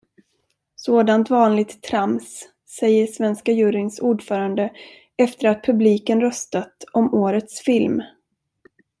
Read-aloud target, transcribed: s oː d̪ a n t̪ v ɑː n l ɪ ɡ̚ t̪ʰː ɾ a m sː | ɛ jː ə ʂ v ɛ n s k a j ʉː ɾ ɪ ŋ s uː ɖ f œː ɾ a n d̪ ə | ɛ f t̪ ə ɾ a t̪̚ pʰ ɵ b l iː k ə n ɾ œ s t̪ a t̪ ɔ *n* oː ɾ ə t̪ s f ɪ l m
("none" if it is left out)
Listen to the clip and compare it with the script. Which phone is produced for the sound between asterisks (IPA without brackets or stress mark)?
m